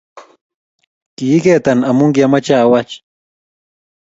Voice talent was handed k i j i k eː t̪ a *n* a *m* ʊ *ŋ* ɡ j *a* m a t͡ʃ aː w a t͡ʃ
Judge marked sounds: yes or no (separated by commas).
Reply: yes, yes, yes, yes